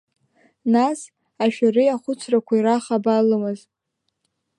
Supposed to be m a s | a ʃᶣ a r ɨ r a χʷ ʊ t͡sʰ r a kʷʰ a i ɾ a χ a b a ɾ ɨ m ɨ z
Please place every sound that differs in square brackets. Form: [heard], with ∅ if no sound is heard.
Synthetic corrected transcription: [n] a s | a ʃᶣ a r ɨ [∅] a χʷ ʊ t͡sʰ r a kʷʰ a i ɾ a χ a b a [l] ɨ m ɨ z